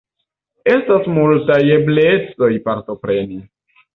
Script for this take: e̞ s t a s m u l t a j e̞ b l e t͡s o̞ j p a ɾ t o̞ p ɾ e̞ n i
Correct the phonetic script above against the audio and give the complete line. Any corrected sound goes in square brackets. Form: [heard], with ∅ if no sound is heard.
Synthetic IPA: e̞ s t a s m u l t a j e̞ b l e t͡s o̞ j p a ɾ t o̞ p ɾ e̞ n i